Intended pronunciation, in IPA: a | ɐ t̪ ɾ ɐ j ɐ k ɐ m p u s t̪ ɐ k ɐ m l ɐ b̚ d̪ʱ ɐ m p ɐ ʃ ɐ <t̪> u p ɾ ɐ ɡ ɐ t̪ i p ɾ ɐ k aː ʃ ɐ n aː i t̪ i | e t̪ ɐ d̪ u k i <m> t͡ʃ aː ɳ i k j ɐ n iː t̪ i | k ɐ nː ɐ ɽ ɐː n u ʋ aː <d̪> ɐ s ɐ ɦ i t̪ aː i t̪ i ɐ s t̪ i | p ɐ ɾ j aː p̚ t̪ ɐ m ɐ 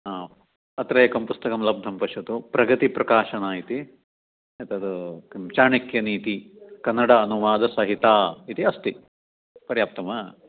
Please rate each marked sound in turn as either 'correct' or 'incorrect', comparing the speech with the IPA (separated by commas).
correct, correct, correct